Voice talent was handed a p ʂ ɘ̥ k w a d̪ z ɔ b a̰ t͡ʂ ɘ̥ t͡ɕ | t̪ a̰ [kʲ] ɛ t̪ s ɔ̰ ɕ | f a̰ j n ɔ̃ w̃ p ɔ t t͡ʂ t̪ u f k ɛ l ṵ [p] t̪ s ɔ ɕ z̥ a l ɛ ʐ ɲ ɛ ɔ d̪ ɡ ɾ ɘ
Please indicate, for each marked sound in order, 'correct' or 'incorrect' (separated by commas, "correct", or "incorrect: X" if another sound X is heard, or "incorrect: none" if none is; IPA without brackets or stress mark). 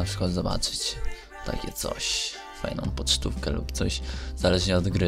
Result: correct, correct